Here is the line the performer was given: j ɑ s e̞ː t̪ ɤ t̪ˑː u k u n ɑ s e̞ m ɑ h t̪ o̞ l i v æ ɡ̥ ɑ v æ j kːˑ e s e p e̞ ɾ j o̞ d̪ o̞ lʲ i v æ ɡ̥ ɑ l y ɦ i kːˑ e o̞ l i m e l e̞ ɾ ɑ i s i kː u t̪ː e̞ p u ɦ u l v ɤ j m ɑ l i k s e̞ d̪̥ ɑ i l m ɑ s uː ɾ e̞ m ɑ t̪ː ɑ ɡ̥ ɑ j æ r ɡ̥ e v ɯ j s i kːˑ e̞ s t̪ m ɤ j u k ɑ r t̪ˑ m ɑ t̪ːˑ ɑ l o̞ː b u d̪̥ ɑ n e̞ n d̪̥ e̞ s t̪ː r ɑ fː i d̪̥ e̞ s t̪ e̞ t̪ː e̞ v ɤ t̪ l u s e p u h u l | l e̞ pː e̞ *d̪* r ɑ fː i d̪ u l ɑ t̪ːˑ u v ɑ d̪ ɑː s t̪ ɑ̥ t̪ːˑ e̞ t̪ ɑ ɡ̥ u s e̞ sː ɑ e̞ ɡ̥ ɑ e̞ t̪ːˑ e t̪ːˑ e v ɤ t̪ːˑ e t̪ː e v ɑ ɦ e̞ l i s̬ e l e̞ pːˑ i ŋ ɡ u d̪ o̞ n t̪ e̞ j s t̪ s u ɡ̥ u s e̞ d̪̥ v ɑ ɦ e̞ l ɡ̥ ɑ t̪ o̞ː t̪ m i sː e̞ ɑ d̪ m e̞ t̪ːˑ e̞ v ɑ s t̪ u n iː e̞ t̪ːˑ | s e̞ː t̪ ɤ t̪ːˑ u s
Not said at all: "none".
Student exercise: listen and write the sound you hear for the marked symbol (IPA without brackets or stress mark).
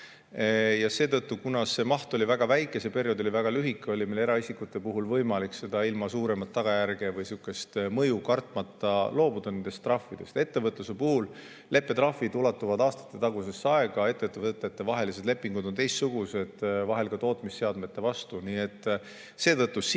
t̪